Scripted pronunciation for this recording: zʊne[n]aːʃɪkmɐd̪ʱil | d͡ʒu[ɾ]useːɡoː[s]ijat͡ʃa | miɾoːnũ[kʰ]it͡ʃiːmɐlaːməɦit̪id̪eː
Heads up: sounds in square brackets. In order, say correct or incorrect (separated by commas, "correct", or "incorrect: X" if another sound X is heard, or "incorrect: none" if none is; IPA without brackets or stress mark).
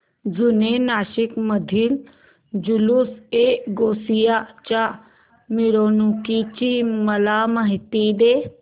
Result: correct, incorrect: l, correct, incorrect: k